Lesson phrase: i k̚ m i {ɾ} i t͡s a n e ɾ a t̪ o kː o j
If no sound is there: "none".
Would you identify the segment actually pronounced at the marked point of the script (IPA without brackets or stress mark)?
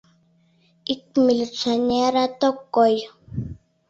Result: l